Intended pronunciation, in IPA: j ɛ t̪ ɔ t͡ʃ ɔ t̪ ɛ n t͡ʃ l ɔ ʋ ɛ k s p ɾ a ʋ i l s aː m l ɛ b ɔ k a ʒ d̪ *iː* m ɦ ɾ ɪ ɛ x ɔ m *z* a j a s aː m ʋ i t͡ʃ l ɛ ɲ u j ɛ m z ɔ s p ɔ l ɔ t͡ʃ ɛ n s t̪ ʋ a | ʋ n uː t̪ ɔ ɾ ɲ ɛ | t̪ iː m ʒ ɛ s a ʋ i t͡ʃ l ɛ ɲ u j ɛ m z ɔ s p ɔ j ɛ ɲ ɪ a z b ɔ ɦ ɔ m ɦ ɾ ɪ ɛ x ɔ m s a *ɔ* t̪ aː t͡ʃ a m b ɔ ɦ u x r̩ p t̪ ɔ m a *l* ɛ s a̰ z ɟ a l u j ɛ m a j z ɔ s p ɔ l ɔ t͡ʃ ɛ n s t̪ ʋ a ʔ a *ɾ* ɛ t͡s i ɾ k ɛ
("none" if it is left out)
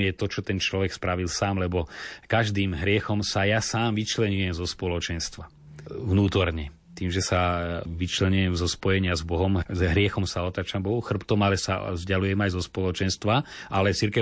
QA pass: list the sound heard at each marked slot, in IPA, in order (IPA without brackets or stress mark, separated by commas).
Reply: iː, s, ɔ, l, l